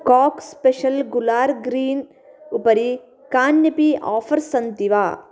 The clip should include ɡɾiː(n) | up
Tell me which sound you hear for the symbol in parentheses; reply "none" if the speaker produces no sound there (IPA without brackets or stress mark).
n